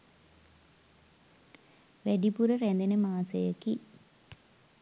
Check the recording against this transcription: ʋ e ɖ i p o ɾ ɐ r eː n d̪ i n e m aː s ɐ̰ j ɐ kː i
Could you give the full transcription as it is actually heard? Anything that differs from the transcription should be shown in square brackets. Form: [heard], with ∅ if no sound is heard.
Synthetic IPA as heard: ʋ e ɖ i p [u] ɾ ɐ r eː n d̪ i n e m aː s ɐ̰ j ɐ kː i